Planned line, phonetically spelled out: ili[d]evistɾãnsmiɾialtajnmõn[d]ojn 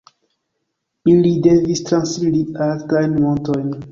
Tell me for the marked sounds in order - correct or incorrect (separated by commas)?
correct, incorrect